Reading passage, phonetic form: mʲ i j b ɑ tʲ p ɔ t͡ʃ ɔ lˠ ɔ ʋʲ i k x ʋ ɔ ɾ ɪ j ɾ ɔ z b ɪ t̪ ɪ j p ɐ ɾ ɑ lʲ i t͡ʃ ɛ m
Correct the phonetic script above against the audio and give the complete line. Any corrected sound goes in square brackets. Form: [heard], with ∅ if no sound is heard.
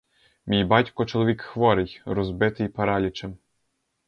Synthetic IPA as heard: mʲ i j b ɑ tʲ [k] ɔ t͡ʃ ɔ lˠ ɔ ʋʲ i k x ʋ ɔ ɾ ɪ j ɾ ɔ z b ɪ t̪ ɪ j p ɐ ɾ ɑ lʲ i t͡ʃ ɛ m

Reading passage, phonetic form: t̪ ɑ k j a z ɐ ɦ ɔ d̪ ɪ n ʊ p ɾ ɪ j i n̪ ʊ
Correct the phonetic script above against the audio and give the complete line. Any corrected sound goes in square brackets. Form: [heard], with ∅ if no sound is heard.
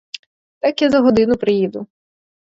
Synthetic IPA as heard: t̪ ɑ k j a z ɐ ɦ ɔ d̪ ɪ n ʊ p ɾ ɪ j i [d̪] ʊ

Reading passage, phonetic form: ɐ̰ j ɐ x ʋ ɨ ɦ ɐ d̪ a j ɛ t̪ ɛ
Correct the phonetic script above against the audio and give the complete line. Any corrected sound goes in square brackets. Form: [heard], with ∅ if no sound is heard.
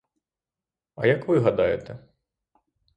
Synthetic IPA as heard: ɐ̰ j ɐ [k] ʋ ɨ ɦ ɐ d̪ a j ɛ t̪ ɛ

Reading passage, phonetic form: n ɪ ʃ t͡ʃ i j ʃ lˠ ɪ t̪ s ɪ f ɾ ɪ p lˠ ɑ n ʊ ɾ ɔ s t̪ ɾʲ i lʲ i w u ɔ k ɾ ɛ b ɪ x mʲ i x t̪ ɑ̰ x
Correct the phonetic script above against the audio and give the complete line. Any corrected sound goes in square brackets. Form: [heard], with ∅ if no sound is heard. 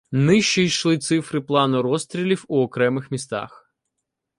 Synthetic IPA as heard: n ɪ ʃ t͡ʃ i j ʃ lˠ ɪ t̪ s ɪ f ɾ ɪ p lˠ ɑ n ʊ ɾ ɔ s t̪ ɾʲ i lʲ i w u ɔ k ɾ ɛ [m] ɪ x mʲ i [s] t̪ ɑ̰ x

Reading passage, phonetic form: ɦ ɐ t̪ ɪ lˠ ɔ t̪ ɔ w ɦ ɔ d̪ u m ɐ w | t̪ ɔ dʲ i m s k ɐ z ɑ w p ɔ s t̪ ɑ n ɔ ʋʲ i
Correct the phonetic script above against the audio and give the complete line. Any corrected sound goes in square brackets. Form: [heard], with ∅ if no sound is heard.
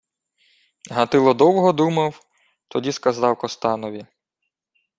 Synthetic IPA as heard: ɦ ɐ t̪ ɪ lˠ ɔ [d̪] ɔ w ɦ ɔ d̪ u m ɐ w | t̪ ɔ dʲ i [∅] s k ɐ z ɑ w [k] ɔ s t̪ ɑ n ɔ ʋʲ i

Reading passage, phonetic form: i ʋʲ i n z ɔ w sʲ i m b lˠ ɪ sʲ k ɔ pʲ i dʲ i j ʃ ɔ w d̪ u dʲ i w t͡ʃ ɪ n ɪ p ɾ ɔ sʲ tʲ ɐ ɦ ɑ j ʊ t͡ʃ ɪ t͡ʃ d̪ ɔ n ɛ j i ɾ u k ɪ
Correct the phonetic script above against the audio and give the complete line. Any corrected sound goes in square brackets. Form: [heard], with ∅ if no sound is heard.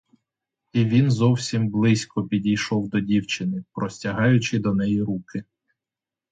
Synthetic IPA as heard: i ʋʲ i n z ɔ w sʲ i m b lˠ ɪ sʲ k ɔ pʲ i dʲ i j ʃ ɔ w d̪ [ɔ] dʲ i w t͡ʃ ɪ n ɪ p ɾ ɔ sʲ tʲ ɐ ɦ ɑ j ʊ t͡ʃ ɪ [∅] d̪ ɔ n ɛ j i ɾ u k ɪ

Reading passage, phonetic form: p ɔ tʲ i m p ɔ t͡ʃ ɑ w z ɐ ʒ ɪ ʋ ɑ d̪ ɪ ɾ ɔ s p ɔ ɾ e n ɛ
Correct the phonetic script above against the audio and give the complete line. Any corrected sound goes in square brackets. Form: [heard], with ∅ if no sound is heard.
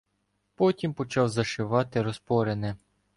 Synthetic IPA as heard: p ɔ tʲ i m p ɔ t͡ʃ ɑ w z ɐ [ʃ] ɪ ʋ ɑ [t̪] ɪ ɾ ɔ s p ɔ ɾ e n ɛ

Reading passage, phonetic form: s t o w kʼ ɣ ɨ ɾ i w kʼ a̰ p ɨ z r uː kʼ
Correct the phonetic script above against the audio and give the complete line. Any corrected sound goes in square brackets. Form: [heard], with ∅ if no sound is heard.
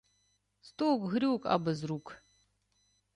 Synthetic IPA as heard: s t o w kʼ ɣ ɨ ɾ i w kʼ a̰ [b] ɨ z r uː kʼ

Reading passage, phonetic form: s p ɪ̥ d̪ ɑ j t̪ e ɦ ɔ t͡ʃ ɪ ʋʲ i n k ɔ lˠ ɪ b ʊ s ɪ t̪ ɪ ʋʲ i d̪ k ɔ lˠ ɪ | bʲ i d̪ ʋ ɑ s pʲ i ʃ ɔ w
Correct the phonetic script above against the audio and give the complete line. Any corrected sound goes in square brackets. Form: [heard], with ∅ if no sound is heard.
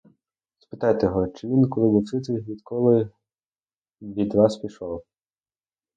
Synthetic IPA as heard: s p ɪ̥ [t̪] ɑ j t̪ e ɦ ɔ t͡ʃ ɪ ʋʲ i n k ɔ lˠ ɪ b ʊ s ɪ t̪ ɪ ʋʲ i d̪ k ɔ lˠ ɪ | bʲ i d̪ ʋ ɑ s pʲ i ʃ ɔ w

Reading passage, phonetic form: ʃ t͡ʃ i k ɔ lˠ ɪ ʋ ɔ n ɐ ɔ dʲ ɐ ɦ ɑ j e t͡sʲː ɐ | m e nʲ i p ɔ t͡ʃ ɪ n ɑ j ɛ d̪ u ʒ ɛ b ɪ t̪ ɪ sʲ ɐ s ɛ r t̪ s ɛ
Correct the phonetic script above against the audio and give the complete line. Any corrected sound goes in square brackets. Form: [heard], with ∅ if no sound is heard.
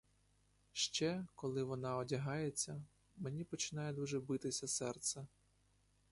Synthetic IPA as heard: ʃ t͡ʃ [ɛ] k ɔ lˠ ɪ ʋ ɔ n [ɑ] ɔ dʲ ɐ ɦ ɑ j e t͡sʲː ɐ | m e nʲ i p ɔ t͡ʃ ɪ n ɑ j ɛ d̪ u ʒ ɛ b ɪ t̪ ɪ sʲ ɐ s ɛ r t̪ s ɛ

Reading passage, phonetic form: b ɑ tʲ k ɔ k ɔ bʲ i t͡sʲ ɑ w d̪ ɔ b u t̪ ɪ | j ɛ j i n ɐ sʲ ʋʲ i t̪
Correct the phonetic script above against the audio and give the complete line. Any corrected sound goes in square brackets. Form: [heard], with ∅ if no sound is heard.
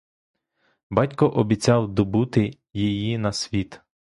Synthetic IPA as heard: b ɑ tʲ k ɔ [ʔ] ɔ bʲ i t͡sʲ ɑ w d̪ ɔ b u t̪ ɪ | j [i] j i n ɐ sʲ ʋʲ i t̪

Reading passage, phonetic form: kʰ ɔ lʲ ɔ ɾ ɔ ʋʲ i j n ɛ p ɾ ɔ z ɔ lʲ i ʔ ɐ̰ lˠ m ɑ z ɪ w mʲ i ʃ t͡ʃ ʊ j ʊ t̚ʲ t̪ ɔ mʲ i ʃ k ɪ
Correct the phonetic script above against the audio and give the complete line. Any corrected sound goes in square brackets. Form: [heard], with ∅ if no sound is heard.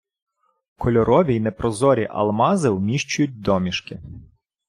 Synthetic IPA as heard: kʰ ɔ lʲ ɔ ɾ ɔ ʋʲ i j n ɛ p ɾ ɔ z ɔ [ɾʲ] i ʔ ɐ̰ lˠ m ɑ z ɪ w mʲ i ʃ t͡ʃ ʊ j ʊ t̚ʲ [d̪] ɔ mʲ i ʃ k ɪ

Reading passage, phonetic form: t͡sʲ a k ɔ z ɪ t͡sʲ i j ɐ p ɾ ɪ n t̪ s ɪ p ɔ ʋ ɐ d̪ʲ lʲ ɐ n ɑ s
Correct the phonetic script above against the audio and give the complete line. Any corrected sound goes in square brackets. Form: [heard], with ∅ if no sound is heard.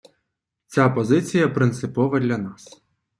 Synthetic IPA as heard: t͡sʲ a [p] ɔ z ɪ t͡sʲ i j ɐ p ɾ ɪ n t̪ s ɪ p ɔ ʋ ɐ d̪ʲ lʲ ɐ n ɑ s

